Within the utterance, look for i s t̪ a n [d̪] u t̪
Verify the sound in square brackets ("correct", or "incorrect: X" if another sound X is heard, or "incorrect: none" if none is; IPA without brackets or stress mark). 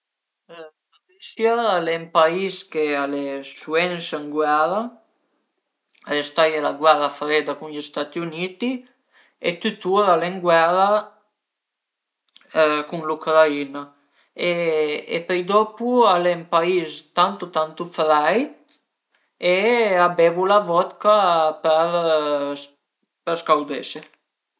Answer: incorrect: t̪